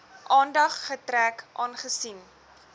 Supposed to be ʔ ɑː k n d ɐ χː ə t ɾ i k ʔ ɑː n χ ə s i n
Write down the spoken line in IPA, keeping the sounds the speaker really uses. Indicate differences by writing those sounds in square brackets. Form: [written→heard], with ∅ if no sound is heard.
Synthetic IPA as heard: ʔ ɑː [k→∅] n d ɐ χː ə t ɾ [i→æ] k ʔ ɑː n χ ə s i n